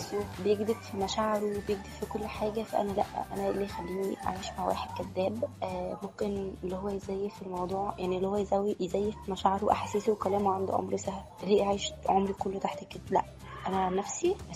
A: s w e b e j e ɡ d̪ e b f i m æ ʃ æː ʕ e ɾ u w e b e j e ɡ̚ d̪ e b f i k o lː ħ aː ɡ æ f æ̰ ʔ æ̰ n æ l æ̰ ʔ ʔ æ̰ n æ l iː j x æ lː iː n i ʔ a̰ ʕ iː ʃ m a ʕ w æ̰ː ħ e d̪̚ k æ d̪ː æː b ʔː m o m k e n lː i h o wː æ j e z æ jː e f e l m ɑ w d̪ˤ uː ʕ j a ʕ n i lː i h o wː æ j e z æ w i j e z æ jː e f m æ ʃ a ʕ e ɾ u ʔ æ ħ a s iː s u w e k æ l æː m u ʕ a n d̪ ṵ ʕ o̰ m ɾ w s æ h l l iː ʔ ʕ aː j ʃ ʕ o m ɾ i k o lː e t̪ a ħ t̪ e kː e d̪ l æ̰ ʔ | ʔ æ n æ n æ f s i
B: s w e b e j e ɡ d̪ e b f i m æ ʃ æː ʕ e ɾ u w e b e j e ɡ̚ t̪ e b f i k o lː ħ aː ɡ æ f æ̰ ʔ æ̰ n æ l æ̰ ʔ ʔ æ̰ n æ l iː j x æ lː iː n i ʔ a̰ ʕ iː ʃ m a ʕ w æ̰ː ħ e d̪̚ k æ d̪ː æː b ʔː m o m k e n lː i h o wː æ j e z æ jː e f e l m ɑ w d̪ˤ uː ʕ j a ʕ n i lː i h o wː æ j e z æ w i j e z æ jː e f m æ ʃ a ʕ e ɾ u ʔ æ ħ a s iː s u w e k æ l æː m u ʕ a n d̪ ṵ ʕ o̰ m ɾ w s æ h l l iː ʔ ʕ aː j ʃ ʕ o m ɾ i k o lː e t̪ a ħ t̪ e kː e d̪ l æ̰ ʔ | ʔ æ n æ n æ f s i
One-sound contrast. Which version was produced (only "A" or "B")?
A